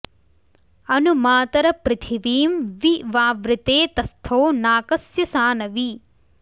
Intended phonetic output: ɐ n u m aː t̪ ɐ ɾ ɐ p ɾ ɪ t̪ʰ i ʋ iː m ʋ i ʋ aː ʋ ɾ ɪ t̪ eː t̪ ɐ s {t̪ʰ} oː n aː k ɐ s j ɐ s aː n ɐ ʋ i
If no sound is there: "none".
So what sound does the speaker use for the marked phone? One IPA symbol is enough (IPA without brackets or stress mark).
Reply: t̪ʰ